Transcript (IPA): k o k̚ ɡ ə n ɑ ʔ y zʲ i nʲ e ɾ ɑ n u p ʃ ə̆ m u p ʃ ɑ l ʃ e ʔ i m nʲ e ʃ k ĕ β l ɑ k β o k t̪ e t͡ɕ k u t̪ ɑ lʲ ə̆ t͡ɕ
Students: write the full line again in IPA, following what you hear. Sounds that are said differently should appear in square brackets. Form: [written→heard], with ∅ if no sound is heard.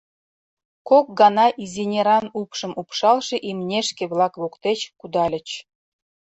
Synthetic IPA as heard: k o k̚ ɡ [ə→ɑ] n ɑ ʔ [y→i] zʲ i nʲ e ɾ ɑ n u p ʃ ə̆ m u p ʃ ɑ l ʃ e ʔ i m nʲ e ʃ k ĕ β l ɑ k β o k t̪ e t͡ɕ k u [t̪→d̪] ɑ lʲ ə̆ t͡ɕ